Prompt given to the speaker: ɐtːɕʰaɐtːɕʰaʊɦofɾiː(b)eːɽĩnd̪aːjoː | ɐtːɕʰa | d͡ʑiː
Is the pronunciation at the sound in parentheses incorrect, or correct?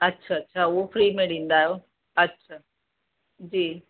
incorrect